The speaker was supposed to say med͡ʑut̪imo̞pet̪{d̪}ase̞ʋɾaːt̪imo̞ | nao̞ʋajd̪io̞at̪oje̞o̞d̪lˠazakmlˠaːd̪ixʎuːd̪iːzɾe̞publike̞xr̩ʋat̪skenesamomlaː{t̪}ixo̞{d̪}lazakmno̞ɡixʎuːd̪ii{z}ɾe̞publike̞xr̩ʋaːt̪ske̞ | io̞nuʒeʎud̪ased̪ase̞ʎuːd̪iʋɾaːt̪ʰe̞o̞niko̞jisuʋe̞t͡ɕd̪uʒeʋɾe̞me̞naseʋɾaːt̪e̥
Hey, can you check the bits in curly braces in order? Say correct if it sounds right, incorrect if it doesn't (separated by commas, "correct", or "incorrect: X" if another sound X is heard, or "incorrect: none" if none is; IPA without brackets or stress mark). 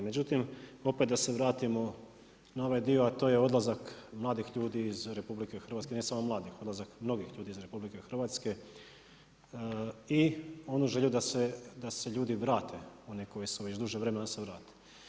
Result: correct, incorrect: d̪, correct, correct